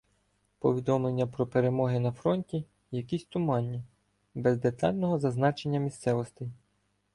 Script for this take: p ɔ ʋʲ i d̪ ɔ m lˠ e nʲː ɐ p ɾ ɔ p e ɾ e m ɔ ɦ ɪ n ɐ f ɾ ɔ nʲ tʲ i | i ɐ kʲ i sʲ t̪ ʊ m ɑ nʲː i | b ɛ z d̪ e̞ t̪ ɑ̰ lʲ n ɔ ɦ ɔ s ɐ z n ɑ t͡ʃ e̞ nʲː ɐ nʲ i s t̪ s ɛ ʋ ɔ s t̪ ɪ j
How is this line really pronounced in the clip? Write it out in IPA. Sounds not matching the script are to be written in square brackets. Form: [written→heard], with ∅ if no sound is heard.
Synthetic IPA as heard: p ɔ ʋʲ i d̪ ɔ m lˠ e nʲː ɐ p ɾ ɔ p e ɾ e m ɔ ɦ ɪ n ɐ f ɾ ɔ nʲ tʲ i | [i→j] ɐ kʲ i sʲ t̪ ʊ m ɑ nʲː i | b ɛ z d̪ e̞ t̪ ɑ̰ lʲ n ɔ ɦ ɔ [s→z] ɐ z n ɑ t͡ʃ e̞ nʲː ɐ [nʲ→mʲ] i s t̪ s ɛ ʋ ɔ s t̪ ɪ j

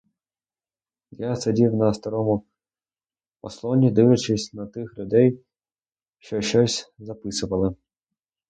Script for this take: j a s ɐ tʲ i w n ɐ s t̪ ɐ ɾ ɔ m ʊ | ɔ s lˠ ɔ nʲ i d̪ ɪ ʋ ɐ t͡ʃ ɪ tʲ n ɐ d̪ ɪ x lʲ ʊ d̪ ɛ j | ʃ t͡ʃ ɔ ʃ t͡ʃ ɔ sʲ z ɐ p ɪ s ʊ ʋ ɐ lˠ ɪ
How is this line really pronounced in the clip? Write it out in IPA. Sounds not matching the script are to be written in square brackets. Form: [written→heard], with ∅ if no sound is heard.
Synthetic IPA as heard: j a s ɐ [tʲ→dʲ] i w n ɐ s t̪ ɐ ɾ ɔ m ʊ | ɔ s lˠ ɔ nʲ i d̪ ɪ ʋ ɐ t͡ʃ ɪ [tʲ→sʲ] n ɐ [d̪→t̪] ɪ x lʲ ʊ d̪ ɛ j | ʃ t͡ʃ ɔ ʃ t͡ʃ ɔ sʲ z ɐ p ɪ s ʊ ʋ ɐ lˠ ɪ

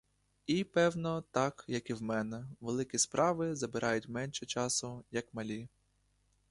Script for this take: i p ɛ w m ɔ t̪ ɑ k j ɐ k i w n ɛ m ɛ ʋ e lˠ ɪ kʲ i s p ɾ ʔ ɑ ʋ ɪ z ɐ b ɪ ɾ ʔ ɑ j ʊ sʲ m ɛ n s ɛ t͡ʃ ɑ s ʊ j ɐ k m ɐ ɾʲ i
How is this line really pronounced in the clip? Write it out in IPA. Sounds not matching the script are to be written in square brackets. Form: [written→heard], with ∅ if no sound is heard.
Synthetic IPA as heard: i p ɛ w [m→n] ɔ t̪ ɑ k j ɐ k i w [n→m] ɛ [m→n] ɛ ʋ e lˠ ɪ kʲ i s p ɾ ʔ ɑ ʋ ɪ z ɐ b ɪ ɾ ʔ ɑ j ʊ [sʲ→tʲ] m ɛ n [s→ʃ] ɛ t͡ʃ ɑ s ʊ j ɐ k m ɐ [ɾʲ→lʲ] i

